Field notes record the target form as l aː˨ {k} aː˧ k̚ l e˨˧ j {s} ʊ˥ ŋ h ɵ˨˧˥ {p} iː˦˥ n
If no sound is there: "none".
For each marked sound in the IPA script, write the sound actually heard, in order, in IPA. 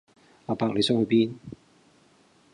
p, s, p

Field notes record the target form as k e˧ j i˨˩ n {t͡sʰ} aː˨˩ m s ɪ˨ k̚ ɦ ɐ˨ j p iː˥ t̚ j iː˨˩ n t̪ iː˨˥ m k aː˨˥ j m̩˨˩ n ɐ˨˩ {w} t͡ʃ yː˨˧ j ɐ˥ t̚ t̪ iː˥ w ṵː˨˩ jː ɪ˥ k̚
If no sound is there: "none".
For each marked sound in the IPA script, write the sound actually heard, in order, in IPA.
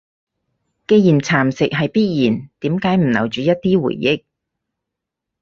t͡sʰ, w

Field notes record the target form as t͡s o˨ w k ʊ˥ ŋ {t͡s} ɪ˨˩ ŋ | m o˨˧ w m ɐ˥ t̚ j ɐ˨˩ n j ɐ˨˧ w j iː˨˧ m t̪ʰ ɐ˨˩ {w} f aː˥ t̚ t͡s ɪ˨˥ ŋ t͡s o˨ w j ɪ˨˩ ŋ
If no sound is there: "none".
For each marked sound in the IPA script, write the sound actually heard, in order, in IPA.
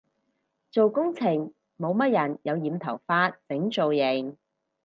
t͡sʰ, w

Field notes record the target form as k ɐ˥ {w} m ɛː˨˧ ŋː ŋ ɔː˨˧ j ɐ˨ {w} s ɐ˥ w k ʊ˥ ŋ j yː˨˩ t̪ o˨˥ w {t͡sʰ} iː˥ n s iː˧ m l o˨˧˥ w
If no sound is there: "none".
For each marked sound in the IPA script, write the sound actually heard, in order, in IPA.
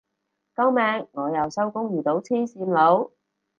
w, w, t͡sʰ

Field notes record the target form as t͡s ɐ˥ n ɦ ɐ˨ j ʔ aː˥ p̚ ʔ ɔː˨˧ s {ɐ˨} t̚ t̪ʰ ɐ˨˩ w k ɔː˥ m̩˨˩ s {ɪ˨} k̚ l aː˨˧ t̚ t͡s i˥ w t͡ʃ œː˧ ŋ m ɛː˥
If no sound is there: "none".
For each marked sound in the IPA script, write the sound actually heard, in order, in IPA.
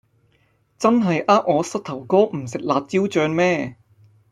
ɐ˥, ɪ˨

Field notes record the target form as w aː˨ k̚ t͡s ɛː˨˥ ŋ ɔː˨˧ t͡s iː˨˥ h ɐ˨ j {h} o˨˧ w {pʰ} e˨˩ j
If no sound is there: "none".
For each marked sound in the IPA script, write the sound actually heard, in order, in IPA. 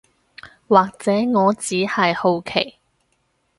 h, kʰ

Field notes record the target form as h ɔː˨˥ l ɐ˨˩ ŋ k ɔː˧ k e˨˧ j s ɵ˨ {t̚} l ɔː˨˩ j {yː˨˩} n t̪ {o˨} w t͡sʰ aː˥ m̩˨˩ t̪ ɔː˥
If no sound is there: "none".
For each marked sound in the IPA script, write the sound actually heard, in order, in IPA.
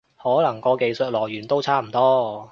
t̚, yː˨˩, o˥

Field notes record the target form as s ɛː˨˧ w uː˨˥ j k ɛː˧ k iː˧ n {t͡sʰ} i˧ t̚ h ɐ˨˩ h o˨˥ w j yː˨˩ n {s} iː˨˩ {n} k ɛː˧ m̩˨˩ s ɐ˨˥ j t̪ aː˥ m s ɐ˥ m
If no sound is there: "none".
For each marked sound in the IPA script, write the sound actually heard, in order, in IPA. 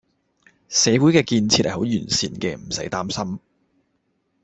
t͡sʰ, s, n

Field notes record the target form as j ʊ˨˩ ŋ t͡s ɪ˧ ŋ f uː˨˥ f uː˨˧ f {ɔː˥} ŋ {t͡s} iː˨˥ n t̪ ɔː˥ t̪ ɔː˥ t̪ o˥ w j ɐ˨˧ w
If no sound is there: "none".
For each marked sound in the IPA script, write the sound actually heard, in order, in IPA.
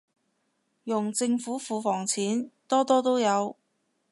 ɔː˨˩, t͡sʰ

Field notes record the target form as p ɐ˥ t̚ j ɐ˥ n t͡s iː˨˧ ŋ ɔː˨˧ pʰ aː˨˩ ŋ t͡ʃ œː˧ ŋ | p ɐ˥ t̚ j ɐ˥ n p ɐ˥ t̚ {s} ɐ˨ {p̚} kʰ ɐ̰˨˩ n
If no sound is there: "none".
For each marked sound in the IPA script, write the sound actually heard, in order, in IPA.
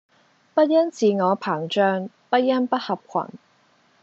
h, p̚

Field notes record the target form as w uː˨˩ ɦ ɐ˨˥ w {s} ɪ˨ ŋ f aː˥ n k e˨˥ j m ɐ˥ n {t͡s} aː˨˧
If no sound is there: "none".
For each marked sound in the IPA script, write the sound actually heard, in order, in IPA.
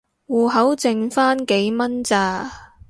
t͡s, t͡s

